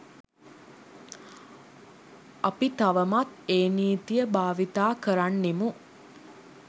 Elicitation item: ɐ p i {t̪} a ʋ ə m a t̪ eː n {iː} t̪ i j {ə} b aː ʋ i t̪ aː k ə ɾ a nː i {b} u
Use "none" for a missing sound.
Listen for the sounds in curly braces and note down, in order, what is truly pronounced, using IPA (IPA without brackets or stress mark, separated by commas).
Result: t̪, iː, ə, m